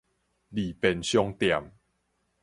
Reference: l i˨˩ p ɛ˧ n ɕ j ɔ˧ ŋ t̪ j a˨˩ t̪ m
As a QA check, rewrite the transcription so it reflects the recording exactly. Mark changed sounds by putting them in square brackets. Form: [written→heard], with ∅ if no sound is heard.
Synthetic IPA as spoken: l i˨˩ p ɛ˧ n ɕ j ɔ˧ ŋ t̪ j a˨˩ [t̪→∅] m